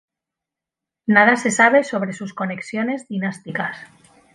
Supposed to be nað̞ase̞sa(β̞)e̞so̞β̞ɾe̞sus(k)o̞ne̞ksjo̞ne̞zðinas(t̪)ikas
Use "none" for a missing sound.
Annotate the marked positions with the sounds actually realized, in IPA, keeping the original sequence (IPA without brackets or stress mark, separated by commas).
β̞, k, t̪